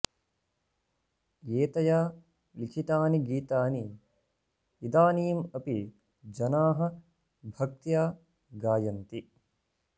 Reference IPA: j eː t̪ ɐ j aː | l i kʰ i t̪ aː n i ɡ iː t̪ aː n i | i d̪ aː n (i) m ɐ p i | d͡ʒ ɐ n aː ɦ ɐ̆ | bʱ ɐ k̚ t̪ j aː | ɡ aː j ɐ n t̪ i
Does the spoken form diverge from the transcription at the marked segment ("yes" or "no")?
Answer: yes